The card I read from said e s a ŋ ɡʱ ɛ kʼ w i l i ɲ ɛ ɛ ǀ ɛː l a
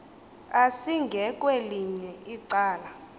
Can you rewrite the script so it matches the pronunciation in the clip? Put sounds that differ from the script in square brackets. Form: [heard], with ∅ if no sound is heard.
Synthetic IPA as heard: [a] s [i] ŋ ɡʱ ɛ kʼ w [e] l i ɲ ɛ [i] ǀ [aː] l a